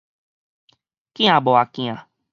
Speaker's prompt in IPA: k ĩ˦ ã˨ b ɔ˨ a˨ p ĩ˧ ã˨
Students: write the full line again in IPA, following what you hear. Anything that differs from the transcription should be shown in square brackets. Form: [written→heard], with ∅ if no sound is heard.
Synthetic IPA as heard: k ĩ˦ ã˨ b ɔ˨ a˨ [p→k] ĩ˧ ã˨